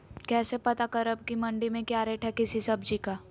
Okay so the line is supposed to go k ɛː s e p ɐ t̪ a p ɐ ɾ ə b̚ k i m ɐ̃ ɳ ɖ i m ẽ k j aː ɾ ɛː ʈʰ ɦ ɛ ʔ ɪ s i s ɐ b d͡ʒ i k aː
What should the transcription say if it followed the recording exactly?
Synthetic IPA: k ɛː s e p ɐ t̪ a k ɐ ɾ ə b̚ k i m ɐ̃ ɳ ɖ i m ẽ k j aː ɾ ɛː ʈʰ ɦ ɛ k ɪ s i s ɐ b d͡ʒ i k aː